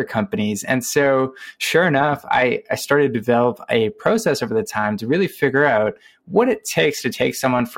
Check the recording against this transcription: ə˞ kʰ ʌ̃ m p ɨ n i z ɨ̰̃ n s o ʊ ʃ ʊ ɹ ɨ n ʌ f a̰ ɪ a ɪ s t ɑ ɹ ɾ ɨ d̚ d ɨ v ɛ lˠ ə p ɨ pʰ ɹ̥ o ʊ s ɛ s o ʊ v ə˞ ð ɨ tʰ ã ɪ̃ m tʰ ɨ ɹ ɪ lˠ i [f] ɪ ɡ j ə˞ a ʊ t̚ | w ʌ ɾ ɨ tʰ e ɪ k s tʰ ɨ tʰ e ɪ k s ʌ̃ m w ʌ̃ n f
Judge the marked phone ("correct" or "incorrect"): correct